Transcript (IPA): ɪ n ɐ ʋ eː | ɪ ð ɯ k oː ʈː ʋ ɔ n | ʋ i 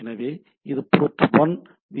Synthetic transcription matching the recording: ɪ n ɐ ʋ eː | ɪ ð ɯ p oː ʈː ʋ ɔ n | ʋ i